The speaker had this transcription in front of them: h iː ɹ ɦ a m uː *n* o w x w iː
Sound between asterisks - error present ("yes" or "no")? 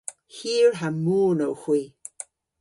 no